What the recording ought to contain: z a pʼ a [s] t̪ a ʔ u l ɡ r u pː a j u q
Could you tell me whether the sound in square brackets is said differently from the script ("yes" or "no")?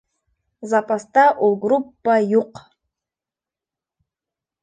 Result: no